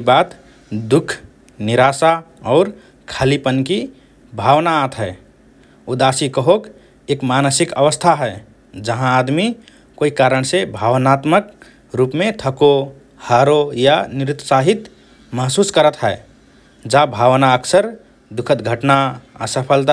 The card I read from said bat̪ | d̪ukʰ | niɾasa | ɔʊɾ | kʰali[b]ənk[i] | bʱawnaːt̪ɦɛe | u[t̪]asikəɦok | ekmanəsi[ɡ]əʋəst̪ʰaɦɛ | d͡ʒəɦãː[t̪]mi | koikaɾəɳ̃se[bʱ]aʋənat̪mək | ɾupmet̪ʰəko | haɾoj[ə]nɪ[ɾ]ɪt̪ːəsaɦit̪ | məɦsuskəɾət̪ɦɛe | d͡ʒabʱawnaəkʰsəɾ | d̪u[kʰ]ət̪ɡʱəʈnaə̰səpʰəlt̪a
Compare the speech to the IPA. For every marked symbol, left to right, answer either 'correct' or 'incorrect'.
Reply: incorrect: p, correct, incorrect: d̪, incorrect: k, incorrect: d̪, correct, incorrect: a, correct, correct

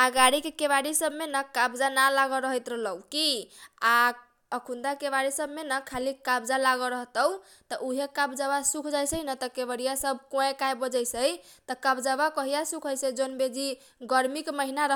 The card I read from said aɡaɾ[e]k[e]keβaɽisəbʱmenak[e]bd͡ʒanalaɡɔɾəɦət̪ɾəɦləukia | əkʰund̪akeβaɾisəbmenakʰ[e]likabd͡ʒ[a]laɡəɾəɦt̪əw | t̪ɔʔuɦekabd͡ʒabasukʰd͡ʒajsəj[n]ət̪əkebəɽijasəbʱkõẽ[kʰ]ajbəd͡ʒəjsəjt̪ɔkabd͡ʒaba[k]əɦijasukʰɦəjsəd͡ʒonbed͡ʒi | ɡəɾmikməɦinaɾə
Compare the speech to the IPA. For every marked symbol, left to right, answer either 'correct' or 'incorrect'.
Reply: incorrect: i, correct, incorrect: a, incorrect: a, correct, correct, incorrect: k, correct

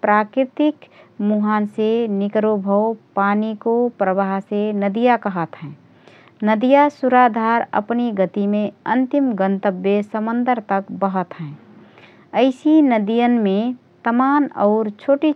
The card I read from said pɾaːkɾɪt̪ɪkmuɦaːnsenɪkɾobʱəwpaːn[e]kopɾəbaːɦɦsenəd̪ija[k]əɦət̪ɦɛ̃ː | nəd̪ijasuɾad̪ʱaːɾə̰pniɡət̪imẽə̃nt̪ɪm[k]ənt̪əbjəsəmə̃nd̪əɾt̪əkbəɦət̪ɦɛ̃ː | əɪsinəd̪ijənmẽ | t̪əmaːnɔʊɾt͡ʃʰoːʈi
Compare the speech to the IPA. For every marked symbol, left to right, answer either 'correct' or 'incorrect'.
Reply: incorrect: i, correct, incorrect: ɡ

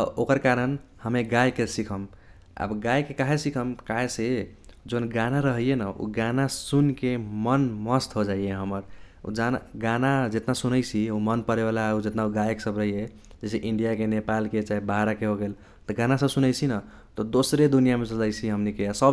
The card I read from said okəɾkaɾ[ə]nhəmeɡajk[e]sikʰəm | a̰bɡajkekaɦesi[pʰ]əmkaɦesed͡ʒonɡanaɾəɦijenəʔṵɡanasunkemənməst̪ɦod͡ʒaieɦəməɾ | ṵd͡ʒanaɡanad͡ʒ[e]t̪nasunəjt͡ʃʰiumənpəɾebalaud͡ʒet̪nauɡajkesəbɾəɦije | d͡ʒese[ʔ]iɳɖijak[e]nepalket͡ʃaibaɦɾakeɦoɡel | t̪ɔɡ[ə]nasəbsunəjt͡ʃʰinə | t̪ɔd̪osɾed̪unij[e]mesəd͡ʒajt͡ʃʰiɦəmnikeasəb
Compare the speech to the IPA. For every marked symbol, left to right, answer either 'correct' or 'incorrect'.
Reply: correct, correct, incorrect: kʰ, correct, correct, correct, incorrect: a, incorrect: a

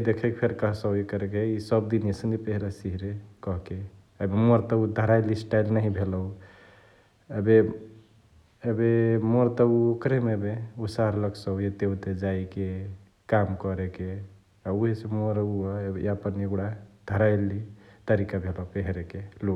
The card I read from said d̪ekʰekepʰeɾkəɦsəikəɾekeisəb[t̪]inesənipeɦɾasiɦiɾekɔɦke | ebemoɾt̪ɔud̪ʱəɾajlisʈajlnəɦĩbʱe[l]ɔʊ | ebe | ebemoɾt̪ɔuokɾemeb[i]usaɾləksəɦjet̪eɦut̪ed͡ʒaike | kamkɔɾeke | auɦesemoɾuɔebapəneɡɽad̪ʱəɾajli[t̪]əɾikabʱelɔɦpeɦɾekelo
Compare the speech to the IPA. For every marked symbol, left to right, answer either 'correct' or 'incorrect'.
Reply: incorrect: d̪, correct, incorrect: e, correct

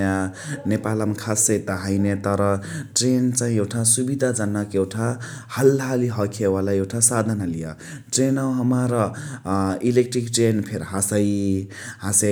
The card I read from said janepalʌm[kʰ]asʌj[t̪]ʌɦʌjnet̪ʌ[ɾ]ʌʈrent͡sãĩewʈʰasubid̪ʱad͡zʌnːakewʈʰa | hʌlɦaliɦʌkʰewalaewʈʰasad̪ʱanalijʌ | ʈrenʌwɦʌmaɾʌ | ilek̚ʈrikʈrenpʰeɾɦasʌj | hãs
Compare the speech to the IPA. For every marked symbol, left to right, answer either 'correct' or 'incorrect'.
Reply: correct, correct, correct

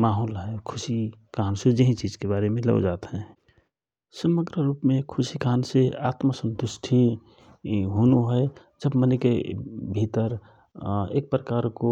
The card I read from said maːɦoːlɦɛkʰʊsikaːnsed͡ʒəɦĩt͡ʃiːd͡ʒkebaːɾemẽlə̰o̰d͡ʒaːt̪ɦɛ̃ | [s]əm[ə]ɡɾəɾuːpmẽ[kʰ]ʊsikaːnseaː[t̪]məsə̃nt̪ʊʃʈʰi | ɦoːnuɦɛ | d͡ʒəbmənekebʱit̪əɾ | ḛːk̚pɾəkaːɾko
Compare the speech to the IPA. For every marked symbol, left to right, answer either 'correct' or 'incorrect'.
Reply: correct, correct, correct, correct

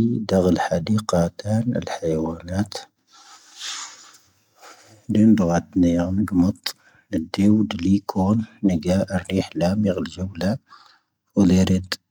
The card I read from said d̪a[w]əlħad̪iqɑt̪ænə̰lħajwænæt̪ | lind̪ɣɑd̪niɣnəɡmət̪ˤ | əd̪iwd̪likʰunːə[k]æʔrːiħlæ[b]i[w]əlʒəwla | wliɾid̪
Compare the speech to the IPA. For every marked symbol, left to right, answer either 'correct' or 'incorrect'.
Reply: incorrect: ɣ, incorrect: ɡ, incorrect: m, incorrect: ɣ

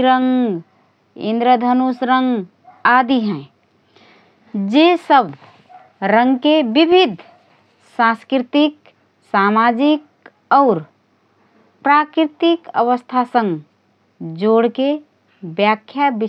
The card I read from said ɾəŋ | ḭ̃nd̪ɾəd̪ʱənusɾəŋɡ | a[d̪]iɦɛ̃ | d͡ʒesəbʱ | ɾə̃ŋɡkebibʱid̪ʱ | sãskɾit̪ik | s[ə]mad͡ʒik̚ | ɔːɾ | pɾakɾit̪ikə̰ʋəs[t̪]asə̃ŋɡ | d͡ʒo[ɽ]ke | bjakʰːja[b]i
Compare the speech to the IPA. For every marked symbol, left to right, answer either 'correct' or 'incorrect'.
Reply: correct, incorrect: a, incorrect: t̪ʰ, correct, correct

